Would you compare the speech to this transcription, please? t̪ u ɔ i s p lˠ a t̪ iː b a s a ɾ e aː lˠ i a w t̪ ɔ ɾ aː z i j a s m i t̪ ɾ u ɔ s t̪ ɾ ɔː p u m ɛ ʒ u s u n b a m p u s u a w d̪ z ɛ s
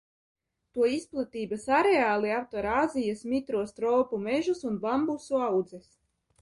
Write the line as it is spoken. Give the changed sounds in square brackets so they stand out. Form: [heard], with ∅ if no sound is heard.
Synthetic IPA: t̪ u ɔ i s p lˠ a t̪ iː b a s a ɾ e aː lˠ i a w t̪ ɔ ɾ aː z i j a s m i t̪ ɾ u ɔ s t̪ ɾ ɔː p u m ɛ ʒ u s u n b a m [b] u s u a w d̪ z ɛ s